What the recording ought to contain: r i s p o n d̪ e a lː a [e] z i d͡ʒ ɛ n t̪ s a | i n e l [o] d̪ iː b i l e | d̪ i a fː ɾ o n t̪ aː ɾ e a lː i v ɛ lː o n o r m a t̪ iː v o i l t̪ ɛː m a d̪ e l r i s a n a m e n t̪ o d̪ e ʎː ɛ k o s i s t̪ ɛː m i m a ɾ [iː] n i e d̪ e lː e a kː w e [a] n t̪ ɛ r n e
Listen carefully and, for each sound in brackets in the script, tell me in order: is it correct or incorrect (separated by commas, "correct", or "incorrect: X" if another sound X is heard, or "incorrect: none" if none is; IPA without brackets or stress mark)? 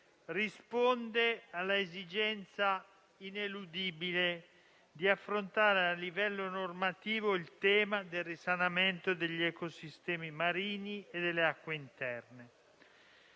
correct, incorrect: u, correct, incorrect: i